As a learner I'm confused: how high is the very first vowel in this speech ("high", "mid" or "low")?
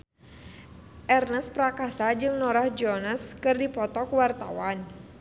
mid